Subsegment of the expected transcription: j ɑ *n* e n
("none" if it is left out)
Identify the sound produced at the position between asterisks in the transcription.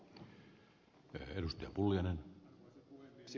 n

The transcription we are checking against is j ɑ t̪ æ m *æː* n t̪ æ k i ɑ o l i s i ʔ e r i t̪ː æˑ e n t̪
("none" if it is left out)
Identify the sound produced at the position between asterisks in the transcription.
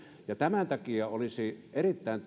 æ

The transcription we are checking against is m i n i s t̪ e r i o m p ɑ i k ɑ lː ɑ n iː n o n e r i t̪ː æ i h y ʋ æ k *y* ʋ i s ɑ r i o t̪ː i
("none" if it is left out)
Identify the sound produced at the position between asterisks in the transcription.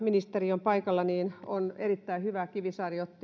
i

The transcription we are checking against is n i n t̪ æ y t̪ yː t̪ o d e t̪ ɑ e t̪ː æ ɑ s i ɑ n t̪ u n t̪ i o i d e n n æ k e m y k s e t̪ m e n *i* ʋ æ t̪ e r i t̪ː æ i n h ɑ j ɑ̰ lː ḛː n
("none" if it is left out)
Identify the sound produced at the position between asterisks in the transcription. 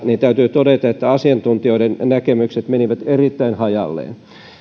i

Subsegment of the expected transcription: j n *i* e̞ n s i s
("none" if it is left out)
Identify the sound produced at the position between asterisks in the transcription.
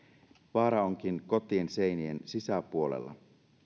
i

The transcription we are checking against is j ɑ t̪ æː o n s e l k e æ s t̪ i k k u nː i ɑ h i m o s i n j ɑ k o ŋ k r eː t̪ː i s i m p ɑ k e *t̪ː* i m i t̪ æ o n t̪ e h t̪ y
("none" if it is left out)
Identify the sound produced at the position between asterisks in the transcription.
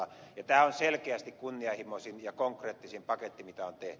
t̪ː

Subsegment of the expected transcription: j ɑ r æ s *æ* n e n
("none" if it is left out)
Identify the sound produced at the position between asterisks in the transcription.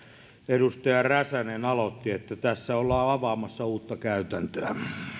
æ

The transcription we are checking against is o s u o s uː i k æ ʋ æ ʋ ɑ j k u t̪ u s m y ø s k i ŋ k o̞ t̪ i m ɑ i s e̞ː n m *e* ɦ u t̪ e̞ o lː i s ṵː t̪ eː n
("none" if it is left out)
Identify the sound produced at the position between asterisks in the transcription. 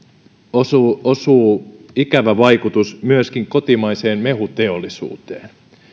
e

